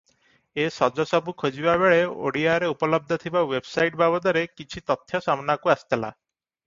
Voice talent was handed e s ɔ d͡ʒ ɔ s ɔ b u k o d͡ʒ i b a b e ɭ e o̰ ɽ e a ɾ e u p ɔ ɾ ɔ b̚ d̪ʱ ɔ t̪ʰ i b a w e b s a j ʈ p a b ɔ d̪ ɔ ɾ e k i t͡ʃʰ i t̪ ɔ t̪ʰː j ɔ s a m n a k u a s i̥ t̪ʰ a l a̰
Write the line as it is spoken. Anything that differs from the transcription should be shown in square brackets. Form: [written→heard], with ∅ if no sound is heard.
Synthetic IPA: e s ɔ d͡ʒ ɔ s ɔ b u [k→kʰ] o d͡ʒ i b a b e ɭ e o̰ ɽ [e→i] a ɾ e u p ɔ [ɾ→l] ɔ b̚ d̪ʱ ɔ t̪ʰ i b a w e b s a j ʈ [p→b] a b ɔ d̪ ɔ ɾ e k i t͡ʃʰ i t̪ ɔ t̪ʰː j ɔ s a m n a k u a s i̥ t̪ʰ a l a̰